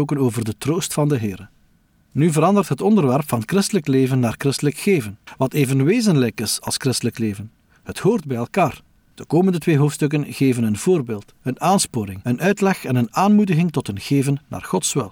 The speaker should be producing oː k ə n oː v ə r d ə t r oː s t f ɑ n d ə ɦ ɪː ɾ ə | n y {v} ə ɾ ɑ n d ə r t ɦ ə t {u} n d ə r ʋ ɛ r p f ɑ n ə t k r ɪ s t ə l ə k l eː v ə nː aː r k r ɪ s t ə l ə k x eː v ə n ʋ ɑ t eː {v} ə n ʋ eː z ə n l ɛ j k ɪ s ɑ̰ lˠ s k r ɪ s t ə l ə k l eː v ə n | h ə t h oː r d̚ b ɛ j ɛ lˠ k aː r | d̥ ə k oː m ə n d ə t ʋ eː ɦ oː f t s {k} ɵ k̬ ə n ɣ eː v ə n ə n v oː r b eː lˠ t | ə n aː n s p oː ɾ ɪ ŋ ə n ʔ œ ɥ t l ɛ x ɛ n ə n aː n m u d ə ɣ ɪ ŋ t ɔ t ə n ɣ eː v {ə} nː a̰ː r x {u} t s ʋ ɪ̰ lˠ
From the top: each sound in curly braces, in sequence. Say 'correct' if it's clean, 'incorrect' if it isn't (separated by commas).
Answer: correct, incorrect, correct, incorrect, correct, incorrect